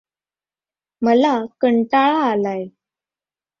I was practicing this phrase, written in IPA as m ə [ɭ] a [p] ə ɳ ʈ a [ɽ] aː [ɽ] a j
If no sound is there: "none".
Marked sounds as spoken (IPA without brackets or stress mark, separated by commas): l, k, ɭ, l